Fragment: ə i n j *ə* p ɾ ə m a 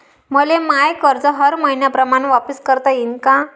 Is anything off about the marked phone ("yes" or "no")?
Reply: yes